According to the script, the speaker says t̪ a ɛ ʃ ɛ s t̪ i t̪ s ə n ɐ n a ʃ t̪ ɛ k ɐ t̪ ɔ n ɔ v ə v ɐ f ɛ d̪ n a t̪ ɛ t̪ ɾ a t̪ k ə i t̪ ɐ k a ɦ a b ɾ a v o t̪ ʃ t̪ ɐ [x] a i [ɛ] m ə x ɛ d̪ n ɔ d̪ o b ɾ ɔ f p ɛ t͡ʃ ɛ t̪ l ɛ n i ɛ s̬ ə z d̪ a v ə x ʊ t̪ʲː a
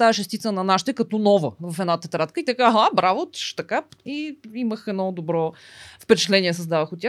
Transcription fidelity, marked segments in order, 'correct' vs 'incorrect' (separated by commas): incorrect, incorrect